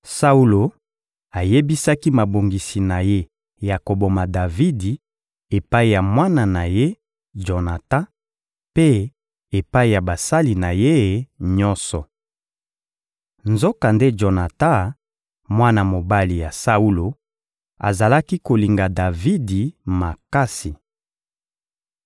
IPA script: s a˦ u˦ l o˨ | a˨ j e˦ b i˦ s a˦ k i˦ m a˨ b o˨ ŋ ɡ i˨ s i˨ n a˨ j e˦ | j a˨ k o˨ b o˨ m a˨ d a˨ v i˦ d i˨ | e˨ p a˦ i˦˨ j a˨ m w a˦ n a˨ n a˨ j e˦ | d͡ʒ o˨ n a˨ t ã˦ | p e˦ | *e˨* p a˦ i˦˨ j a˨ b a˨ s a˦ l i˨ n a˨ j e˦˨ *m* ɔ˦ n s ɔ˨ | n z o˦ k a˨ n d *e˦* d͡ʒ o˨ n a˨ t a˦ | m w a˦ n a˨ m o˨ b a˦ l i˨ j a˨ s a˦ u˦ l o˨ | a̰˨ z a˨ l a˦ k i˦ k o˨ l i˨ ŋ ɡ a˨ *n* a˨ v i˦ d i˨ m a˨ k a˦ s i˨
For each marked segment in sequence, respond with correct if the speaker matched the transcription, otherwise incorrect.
correct, incorrect, correct, incorrect

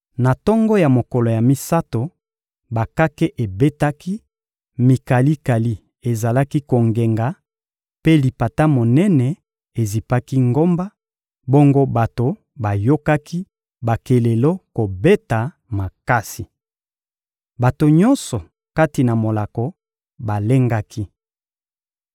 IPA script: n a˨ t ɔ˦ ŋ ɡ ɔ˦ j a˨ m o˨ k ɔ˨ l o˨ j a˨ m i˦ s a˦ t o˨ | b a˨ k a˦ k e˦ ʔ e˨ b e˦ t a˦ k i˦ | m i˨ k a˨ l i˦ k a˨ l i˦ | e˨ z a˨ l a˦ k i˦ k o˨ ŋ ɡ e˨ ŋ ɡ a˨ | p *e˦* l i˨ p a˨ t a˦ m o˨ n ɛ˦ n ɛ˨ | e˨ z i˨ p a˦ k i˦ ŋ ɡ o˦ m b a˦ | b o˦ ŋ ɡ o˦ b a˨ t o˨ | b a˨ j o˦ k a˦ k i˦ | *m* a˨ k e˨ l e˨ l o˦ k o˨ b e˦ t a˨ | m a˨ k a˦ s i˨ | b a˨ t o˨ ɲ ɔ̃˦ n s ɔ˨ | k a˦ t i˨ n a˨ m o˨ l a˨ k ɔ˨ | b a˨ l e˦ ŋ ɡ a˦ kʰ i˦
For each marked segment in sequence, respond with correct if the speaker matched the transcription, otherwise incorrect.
correct, incorrect

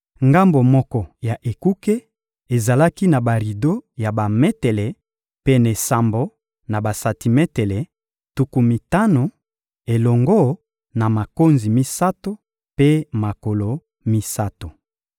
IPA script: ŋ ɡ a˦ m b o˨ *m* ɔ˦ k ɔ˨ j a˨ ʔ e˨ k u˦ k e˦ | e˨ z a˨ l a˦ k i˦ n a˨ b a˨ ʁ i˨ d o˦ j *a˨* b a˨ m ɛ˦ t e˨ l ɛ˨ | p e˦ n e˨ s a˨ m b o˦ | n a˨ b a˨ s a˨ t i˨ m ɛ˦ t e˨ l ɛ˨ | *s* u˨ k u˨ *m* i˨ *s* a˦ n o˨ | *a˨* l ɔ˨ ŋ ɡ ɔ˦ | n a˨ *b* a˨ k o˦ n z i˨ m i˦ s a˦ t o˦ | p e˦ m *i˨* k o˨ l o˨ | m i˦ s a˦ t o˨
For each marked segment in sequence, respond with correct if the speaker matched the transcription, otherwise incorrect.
correct, correct, incorrect, correct, incorrect, incorrect, incorrect, incorrect

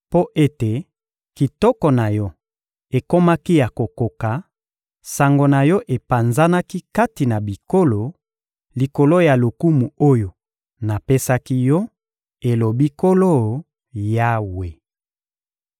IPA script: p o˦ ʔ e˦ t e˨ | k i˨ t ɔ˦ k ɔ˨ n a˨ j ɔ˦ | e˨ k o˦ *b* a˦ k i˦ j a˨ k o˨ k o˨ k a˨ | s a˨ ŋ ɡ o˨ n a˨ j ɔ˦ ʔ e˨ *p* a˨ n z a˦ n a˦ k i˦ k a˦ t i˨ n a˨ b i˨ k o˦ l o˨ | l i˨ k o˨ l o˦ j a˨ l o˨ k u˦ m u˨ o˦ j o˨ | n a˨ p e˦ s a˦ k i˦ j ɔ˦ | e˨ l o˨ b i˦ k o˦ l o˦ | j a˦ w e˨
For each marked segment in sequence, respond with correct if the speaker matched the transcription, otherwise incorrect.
incorrect, correct

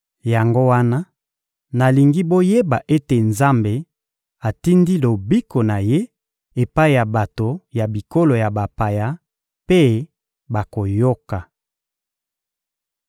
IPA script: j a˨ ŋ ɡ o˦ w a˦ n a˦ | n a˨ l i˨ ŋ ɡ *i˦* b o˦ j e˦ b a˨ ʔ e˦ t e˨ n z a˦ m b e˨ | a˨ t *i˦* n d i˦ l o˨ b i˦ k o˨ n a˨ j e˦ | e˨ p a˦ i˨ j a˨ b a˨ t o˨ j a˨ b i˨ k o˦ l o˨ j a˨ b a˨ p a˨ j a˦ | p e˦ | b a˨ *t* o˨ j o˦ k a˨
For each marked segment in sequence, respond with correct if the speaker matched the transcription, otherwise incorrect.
correct, correct, incorrect

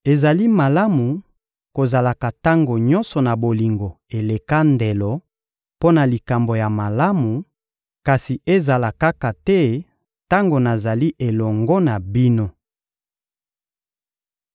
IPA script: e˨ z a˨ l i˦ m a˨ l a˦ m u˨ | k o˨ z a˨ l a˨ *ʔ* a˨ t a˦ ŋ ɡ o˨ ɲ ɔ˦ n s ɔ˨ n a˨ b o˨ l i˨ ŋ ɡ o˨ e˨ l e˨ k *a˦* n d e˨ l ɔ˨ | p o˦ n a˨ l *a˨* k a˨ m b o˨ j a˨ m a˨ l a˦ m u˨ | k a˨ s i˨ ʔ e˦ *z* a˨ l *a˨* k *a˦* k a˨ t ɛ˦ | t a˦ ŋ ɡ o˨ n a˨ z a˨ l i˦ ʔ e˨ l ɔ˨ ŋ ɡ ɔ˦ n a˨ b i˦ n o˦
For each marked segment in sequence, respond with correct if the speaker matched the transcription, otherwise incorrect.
incorrect, correct, incorrect, correct, correct, correct

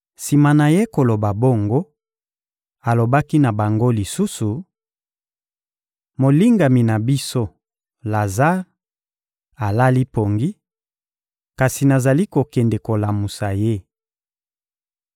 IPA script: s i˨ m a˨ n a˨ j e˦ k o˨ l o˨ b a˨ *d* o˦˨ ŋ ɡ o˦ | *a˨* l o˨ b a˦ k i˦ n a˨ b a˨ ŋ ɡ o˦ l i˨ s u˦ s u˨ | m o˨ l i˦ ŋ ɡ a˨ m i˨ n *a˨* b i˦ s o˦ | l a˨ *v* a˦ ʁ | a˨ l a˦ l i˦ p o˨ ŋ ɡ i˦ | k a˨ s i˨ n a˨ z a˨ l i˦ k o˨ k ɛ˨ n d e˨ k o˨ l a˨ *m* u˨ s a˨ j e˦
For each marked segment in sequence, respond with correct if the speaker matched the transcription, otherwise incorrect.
incorrect, correct, correct, incorrect, correct

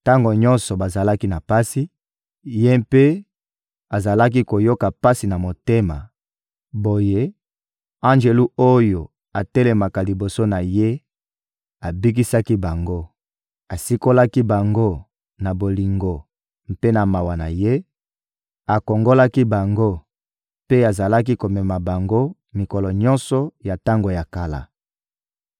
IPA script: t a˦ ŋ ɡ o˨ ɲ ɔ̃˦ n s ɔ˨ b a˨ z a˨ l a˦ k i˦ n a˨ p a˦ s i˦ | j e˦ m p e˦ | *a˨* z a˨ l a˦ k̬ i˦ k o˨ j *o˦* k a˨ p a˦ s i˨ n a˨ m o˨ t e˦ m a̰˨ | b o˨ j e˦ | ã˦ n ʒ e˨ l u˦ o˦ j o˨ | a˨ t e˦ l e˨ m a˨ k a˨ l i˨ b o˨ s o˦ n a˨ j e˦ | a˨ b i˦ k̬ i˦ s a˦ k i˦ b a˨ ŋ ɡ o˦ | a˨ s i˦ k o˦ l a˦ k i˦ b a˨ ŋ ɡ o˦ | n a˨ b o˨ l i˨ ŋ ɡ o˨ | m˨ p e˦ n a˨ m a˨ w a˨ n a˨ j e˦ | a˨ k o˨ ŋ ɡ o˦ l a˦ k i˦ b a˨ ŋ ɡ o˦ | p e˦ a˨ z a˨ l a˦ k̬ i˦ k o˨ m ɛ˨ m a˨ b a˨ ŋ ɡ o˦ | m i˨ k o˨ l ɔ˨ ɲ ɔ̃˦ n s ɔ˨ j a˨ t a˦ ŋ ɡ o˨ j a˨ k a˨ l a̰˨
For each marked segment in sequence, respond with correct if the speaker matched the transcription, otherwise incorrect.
correct, correct

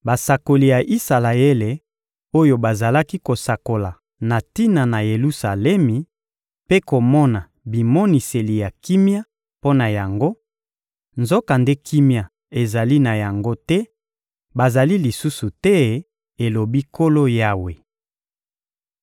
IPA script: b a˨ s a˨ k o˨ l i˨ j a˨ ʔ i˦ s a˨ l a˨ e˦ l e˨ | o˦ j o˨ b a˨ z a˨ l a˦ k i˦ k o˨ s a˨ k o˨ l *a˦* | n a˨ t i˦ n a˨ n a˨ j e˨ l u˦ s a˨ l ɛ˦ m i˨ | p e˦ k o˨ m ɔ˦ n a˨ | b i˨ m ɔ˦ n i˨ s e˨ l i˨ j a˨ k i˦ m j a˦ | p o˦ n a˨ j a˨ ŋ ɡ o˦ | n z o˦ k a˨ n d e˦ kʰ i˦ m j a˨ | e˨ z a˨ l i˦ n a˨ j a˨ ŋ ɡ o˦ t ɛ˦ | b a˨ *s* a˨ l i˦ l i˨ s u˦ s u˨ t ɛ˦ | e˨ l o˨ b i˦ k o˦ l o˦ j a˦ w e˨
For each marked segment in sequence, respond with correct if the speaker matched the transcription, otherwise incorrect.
incorrect, incorrect

